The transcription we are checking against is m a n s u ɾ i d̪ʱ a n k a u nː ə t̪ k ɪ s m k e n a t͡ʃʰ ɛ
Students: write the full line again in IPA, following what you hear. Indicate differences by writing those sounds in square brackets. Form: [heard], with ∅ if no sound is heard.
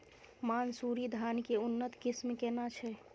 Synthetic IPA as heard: m a n s u ɾ i d̪ʱ a n k [e] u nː ə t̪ k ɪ s m k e n a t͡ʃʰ ɛ